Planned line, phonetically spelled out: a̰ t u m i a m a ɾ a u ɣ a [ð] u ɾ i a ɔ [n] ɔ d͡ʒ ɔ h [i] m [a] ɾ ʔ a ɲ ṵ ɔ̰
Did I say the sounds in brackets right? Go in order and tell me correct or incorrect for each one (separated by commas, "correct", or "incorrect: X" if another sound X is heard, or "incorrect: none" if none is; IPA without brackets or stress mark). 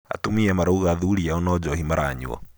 correct, correct, correct, correct